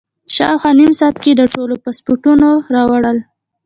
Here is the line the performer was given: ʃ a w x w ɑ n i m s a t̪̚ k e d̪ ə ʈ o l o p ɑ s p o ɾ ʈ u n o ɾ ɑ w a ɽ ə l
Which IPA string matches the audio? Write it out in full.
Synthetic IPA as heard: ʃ ɑ w x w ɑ n i m s ɑ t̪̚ k e d̪ ə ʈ o l o p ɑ s p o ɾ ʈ u n o ɾ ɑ w a ɽ ə l